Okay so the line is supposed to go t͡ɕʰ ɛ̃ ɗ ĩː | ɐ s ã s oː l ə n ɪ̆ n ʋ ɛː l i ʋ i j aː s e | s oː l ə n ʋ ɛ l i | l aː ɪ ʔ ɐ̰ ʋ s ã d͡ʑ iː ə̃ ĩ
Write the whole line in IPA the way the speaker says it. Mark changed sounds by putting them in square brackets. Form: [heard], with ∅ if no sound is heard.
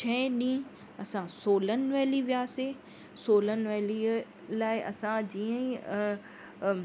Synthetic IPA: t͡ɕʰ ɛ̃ ɗ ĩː | ɐ s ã s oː l ə n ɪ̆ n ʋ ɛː l i ʋ i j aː s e | s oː l ə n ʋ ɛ l i | l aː ɪ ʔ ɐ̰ [∅] s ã d͡ʑ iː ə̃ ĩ